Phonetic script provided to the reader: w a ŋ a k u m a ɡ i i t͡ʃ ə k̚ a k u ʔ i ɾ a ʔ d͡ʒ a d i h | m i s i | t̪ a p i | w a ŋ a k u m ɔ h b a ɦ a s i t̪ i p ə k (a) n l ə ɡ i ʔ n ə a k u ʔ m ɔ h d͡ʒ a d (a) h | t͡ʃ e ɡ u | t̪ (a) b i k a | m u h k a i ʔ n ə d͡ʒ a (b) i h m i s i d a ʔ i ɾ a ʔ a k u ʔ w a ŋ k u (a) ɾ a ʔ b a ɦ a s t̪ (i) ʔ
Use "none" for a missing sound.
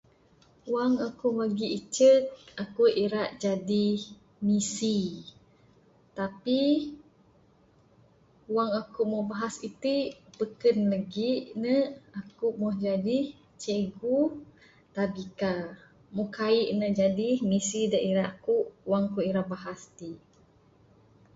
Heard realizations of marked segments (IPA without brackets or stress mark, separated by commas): ə, i, a, d, i, i